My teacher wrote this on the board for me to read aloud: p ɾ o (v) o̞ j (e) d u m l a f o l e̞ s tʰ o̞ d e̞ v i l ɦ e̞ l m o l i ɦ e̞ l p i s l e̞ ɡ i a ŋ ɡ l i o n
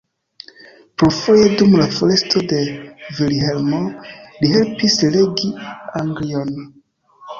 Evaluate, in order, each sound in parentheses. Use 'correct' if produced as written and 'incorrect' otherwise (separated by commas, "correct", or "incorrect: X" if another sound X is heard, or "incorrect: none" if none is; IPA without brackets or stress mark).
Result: incorrect: f, correct